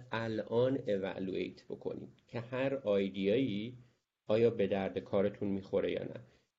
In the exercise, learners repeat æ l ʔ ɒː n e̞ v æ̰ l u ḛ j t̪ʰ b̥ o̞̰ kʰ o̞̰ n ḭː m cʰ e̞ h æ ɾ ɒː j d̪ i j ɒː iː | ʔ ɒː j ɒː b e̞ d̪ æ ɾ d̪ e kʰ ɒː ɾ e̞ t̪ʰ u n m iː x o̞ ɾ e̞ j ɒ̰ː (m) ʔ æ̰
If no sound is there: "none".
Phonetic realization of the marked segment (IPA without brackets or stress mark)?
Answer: n